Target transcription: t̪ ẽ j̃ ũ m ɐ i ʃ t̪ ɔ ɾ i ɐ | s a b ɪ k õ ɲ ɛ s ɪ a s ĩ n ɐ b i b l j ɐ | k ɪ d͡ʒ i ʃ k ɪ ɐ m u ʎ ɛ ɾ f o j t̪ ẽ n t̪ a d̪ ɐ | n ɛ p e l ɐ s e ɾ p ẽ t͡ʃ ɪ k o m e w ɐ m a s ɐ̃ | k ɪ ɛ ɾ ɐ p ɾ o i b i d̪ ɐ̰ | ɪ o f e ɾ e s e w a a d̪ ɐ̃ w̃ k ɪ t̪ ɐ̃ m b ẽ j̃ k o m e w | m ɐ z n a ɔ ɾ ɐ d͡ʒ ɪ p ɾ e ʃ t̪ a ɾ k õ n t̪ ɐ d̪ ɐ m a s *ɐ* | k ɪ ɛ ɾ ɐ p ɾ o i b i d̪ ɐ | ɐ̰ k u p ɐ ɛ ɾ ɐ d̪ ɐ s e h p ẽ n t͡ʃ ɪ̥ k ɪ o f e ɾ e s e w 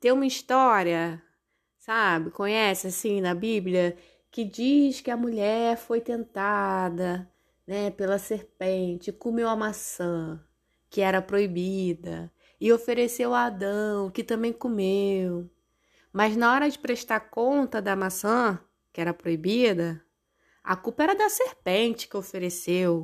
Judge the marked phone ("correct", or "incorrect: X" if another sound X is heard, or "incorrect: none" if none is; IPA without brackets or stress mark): incorrect: ɐ̃